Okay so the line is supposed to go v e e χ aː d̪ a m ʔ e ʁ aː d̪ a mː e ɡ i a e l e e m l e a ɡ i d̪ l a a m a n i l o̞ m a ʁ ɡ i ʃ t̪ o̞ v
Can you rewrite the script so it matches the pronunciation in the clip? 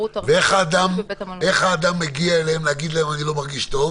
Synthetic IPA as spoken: v e e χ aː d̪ a m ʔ e χ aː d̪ a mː e ɡ i a e l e e m l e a ɡ i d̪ l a e m a n i l o̞ m a ʁ ɡ i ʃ t̪ o̞ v